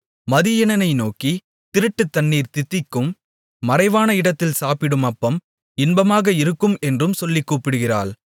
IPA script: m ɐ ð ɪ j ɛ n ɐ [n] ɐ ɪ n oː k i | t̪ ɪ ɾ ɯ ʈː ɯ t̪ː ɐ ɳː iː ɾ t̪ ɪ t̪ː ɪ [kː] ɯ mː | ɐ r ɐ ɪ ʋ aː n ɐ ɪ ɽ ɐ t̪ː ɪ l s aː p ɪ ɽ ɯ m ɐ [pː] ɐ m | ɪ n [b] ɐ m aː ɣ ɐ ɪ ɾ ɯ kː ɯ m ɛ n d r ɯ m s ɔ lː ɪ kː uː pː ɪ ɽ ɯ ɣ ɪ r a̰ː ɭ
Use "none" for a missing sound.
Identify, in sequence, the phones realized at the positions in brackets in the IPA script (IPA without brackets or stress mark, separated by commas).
n, kː, pː, b